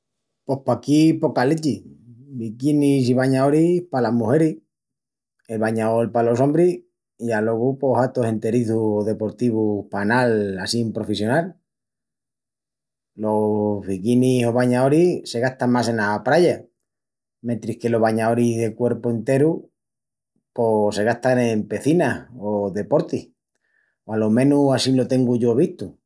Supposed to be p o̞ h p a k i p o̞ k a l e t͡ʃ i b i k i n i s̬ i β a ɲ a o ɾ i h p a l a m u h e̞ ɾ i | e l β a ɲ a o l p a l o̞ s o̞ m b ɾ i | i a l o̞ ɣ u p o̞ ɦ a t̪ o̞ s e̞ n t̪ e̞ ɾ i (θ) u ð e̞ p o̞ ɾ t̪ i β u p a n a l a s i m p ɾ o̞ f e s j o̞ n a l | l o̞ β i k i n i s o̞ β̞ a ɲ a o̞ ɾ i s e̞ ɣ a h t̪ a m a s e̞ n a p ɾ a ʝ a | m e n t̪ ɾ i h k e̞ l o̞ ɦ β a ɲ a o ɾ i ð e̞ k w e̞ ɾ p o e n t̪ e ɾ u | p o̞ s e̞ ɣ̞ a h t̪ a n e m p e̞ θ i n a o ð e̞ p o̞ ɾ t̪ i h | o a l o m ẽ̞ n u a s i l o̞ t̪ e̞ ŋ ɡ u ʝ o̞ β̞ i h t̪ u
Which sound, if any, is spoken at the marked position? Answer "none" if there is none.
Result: θ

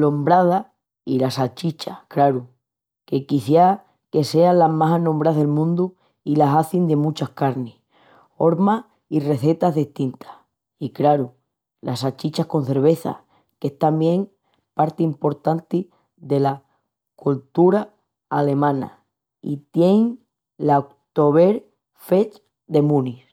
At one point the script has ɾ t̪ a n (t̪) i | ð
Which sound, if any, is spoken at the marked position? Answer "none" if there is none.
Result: t̪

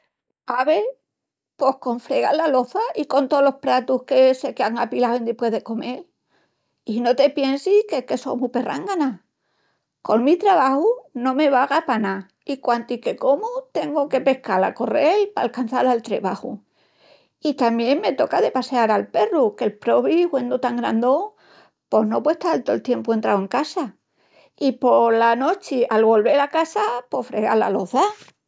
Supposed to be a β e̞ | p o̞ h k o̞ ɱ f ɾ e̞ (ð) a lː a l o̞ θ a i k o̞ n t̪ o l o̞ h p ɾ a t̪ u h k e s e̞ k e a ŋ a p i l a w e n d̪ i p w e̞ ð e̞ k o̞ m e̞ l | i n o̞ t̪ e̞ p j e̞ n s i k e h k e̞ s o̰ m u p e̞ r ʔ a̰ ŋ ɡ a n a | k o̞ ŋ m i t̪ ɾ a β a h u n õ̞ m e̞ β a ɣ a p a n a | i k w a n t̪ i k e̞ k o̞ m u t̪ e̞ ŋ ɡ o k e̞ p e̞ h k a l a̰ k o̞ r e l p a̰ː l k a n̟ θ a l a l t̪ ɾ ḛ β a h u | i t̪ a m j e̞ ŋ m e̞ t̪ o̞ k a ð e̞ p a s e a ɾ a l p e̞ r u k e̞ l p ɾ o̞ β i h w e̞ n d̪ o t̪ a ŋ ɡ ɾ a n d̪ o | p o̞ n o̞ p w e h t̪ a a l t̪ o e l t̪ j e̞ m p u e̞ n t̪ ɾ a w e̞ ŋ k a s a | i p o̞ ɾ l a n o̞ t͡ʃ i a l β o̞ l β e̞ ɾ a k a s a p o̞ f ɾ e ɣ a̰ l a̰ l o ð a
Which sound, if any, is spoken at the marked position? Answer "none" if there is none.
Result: ɣ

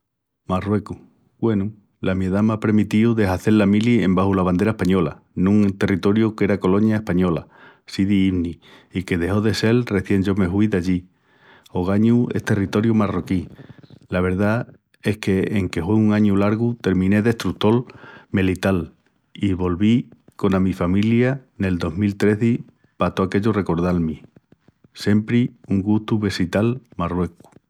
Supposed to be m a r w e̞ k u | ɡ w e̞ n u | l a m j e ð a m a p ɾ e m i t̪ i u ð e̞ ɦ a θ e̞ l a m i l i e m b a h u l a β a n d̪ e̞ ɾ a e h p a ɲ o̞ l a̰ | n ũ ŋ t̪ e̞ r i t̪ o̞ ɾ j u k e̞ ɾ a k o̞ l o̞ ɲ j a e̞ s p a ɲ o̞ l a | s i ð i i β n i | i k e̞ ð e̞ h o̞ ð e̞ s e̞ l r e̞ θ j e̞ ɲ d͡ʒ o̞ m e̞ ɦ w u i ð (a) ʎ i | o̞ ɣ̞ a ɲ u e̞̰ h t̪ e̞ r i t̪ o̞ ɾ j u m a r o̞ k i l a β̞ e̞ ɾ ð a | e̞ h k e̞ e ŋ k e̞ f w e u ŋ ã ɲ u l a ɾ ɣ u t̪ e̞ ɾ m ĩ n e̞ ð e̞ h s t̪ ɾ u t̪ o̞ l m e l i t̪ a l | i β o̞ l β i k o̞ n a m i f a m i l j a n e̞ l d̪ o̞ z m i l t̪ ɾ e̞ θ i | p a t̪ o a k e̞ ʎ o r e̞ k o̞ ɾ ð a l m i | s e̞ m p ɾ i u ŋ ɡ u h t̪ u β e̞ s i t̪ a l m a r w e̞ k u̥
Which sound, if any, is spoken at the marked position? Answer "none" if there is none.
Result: a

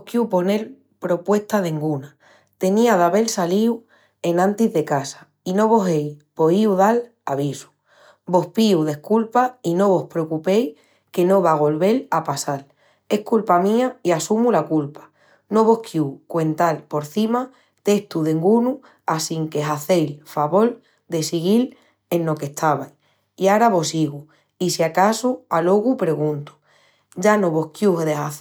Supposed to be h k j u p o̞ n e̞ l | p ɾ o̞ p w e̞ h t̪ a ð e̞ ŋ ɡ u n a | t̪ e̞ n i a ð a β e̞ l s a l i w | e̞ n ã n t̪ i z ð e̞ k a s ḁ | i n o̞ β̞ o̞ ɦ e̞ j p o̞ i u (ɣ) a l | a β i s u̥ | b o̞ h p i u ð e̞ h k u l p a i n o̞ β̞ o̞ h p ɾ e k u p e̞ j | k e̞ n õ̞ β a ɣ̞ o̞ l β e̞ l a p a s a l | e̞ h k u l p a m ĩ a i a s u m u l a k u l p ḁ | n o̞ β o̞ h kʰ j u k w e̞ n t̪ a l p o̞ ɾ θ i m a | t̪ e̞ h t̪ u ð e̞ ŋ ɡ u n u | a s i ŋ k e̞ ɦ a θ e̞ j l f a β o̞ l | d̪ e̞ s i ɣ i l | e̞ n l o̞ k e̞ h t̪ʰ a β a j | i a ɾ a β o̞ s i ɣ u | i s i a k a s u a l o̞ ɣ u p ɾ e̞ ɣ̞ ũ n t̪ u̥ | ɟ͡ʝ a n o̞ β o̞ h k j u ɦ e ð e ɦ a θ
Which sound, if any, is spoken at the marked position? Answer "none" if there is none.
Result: ð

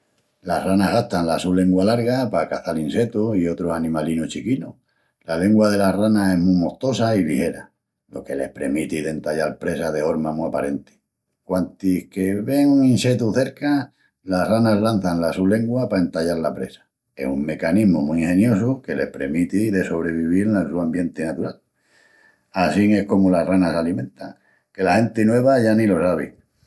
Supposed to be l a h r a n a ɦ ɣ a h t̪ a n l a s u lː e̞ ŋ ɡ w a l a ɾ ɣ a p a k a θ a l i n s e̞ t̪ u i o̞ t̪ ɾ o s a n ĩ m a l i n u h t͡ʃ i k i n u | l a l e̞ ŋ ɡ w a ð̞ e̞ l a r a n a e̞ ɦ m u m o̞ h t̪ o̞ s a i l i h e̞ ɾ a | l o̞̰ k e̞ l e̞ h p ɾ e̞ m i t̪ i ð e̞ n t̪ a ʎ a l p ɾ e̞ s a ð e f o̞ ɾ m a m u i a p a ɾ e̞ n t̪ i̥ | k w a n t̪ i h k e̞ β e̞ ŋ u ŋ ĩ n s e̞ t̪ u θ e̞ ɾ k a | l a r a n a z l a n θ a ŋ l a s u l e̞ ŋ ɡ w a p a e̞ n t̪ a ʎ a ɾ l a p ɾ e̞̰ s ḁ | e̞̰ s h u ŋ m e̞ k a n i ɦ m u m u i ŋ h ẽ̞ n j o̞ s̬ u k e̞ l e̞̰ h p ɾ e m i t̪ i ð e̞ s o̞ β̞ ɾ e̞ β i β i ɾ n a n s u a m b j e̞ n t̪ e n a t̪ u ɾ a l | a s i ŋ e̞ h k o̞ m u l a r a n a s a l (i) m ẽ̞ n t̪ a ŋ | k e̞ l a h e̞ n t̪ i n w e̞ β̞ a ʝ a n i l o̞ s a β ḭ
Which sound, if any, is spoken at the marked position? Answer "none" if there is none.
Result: i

